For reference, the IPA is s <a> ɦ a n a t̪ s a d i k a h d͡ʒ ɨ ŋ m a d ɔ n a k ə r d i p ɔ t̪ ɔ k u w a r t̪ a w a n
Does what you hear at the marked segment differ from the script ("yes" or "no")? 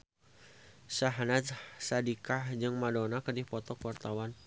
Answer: no